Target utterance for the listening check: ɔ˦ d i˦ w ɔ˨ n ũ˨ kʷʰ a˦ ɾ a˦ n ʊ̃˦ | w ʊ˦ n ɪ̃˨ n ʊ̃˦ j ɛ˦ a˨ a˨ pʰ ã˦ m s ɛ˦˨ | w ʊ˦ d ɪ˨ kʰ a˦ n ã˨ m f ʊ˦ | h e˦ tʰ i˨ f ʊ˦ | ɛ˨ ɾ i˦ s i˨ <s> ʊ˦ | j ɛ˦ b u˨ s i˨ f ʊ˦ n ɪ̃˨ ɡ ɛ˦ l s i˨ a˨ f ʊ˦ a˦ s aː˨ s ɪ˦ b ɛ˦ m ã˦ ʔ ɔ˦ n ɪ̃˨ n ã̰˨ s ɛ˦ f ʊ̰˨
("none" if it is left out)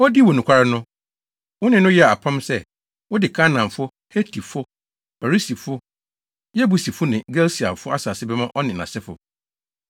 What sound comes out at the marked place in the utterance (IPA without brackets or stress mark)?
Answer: f